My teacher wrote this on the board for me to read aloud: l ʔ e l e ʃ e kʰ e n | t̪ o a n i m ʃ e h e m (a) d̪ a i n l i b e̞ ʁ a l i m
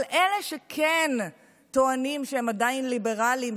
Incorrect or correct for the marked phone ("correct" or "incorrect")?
correct